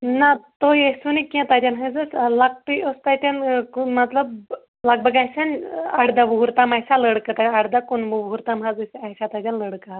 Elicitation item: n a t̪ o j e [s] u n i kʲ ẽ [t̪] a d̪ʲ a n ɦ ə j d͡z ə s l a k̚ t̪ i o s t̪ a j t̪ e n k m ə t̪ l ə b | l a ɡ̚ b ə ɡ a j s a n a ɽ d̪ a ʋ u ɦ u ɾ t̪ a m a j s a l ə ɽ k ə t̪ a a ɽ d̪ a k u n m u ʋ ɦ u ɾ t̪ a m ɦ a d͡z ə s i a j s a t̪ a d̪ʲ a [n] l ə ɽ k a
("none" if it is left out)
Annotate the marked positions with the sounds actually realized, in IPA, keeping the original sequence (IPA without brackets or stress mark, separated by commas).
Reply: s, t̪, n